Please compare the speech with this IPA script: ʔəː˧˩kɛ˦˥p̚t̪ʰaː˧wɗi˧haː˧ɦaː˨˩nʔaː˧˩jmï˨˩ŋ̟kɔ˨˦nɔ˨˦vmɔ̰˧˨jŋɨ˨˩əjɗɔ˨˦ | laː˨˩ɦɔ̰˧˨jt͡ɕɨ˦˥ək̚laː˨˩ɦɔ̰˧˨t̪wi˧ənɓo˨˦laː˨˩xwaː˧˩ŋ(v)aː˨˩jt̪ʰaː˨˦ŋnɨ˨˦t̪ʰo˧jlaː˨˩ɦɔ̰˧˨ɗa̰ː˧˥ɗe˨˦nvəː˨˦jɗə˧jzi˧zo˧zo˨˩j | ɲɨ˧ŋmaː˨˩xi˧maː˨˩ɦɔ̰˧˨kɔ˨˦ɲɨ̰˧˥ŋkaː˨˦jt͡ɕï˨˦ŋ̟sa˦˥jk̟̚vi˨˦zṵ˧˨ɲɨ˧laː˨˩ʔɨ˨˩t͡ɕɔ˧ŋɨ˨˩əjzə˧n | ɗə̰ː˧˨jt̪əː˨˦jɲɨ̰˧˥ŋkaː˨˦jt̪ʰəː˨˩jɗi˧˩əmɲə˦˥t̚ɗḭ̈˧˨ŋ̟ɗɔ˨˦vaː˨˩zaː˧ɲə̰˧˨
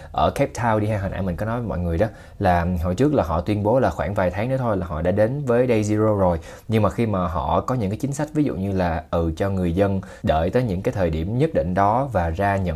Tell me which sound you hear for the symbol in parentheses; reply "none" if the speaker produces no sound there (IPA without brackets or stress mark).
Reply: v